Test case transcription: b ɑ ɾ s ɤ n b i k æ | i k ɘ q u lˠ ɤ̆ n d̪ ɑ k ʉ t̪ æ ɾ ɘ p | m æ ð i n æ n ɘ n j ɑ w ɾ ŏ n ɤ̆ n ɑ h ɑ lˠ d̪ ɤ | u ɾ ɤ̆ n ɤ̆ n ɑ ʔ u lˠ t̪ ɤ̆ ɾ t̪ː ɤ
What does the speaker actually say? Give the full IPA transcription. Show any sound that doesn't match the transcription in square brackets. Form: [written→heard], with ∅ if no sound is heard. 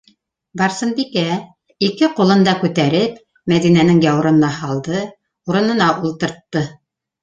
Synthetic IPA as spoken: b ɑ ɾ s ɤ n b i k æ | i k ɘ q u lˠ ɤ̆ n d̪ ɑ k ʉ t̪ æ ɾ ɘ p | m æ ð i n æ n ɘ [n→ŋ] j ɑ w ɾ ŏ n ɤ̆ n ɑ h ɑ lˠ d̪ ɤ | u ɾ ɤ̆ n ɤ̆ n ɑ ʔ u lˠ t̪ ɤ̆ ɾ t̪ː ɤ

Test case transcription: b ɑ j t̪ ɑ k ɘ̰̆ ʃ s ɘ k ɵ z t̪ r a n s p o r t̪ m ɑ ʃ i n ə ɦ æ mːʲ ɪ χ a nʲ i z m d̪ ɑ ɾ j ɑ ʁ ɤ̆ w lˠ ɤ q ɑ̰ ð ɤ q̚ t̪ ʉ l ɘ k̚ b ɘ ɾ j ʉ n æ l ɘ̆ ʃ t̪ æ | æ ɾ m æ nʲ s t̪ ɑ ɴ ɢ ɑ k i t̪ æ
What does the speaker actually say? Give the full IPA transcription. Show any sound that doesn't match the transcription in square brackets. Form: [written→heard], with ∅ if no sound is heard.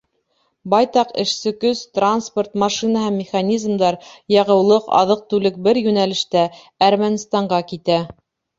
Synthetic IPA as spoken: b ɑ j t̪ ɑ [k→q] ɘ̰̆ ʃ s ɘ k ɵ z t̪ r a n s p o r t̪ m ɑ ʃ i n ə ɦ æ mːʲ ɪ χ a nʲ i z m d̪ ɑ ɾ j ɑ ʁ ɤ̆ w lˠ ɤ q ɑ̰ ð ɤ q̚ t̪ ʉ l ɘ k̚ b ɘ ɾ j ʉ n æ l ɘ̆ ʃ t̪ æ | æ ɾ m æ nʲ s t̪ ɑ ɴ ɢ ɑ k i t̪ æ

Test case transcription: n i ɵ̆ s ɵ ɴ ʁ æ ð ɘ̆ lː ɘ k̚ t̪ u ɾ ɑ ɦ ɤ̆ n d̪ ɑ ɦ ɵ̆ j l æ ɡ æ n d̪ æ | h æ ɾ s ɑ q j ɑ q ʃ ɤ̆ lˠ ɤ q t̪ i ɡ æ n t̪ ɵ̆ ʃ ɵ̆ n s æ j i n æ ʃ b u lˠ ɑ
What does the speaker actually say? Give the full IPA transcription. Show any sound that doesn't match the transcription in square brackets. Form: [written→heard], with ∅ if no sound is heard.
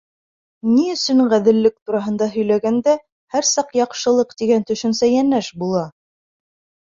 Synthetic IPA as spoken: n i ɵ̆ s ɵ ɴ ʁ æ ð ɘ̆ lː ɘ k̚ t̪ u ɾ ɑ ɦ ɤ̆ n d̪ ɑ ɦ ɵ̆ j l æ ɡ æ n d̪ æ | h æ ɾ s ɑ q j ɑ q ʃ ɤ̆ lˠ ɤ q t̪ i ɡ æ n t̪ ɵ̆ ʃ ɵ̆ n s æ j [i→æ] n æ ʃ b u lˠ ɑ

